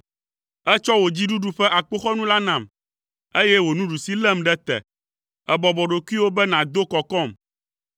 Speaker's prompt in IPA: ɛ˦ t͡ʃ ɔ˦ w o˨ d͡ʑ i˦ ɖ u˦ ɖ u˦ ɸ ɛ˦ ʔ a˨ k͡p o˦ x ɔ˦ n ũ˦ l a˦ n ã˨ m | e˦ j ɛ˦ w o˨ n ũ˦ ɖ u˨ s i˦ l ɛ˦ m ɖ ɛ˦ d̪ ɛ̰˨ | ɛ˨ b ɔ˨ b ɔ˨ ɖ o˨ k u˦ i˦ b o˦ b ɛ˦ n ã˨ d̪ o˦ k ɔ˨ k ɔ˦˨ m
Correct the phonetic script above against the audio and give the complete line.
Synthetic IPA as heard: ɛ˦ t͡ʃ ɔ˦ w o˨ d͡ʑ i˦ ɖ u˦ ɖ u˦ ɸ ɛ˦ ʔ a˨ k͡p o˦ x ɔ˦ n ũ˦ l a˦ n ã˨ m | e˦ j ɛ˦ w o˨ n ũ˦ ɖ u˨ s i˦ l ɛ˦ m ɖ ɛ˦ t̪ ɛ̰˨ | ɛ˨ b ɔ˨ b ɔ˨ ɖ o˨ k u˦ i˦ w o˦ b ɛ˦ n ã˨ d̪ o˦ k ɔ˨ k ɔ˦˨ m